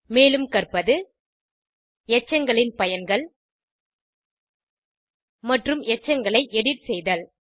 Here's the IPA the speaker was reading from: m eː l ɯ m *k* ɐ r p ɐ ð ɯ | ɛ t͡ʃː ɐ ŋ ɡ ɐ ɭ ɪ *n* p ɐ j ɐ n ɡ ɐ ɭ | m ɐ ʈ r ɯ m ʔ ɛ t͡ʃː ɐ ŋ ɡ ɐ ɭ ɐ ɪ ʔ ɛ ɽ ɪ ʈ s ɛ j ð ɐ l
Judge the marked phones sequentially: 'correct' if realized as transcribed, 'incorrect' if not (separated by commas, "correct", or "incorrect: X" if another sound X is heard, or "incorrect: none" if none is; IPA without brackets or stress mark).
correct, correct